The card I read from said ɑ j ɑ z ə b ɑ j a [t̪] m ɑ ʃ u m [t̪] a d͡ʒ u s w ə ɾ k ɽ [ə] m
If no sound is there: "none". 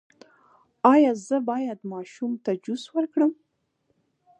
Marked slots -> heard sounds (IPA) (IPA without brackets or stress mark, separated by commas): d̪, t̪, ə